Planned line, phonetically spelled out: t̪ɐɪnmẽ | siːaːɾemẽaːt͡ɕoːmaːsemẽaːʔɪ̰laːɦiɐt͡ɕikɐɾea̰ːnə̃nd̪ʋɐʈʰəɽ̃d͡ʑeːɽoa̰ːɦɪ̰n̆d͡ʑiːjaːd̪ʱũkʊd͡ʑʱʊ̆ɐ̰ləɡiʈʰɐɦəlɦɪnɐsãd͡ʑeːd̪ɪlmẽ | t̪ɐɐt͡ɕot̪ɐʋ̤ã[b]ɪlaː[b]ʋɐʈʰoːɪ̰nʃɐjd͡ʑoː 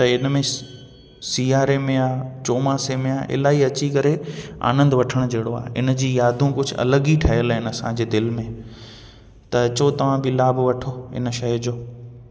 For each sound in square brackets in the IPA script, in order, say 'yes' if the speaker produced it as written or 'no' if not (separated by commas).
yes, yes